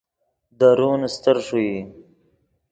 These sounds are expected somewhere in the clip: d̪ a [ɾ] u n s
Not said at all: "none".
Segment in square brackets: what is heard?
ɾ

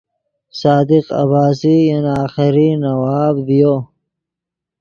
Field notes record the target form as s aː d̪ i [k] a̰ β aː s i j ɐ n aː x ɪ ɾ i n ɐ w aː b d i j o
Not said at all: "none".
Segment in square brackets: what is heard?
q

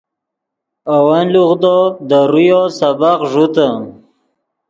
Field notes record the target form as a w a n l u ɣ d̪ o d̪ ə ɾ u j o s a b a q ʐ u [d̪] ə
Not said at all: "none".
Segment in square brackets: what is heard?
t̪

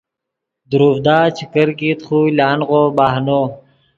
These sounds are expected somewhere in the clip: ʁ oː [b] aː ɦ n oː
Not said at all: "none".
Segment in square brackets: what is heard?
b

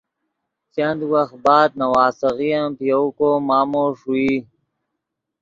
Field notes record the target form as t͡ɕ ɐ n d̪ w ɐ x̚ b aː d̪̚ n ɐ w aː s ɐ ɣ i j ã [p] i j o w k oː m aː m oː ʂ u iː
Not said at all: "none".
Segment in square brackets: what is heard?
p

